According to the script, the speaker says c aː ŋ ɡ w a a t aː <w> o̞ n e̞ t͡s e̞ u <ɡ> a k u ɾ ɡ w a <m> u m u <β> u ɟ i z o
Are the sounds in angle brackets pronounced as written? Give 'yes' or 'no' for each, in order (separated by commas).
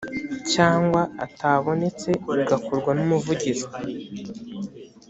no, yes, no, no